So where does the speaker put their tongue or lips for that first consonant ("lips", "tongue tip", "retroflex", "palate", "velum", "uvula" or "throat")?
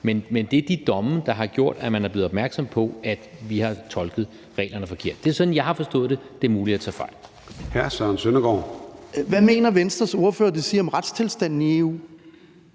lips